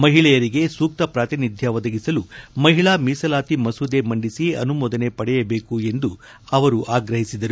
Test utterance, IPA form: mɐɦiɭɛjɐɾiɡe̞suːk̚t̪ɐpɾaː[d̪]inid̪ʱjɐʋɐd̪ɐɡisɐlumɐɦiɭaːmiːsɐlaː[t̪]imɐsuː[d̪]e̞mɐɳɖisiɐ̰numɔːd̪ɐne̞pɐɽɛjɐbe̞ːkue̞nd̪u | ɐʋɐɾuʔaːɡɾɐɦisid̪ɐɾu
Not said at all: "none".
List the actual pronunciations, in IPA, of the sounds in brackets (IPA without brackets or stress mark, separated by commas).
t̪, t̪, d̪